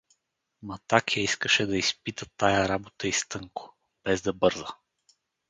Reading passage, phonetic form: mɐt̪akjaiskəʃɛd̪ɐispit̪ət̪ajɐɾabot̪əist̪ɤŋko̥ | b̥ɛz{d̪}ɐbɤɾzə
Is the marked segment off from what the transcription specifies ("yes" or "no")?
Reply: no